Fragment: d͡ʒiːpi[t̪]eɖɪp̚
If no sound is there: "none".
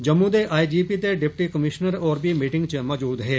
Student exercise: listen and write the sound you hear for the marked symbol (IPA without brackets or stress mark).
t̪